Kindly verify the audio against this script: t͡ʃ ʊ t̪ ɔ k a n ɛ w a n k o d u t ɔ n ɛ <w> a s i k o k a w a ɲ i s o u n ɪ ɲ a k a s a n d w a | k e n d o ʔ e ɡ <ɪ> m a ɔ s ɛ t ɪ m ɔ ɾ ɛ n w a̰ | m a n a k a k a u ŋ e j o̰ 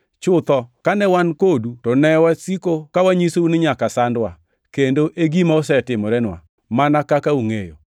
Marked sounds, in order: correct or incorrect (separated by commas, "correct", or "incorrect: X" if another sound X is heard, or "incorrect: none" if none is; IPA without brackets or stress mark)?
correct, incorrect: i